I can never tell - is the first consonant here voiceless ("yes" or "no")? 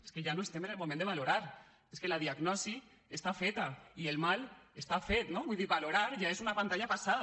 yes